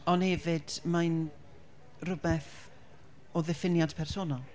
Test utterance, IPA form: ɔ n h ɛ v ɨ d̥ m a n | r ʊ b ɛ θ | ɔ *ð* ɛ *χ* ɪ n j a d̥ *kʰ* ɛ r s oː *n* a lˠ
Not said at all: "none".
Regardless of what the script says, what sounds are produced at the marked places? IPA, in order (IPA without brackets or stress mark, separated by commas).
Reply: ð, f, pʰ, n